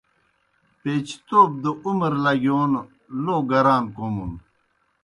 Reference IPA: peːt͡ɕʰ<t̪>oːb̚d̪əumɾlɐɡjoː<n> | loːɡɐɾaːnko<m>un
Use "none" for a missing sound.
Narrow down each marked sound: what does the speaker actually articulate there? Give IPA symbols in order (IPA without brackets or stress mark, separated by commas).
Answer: t̪, n, m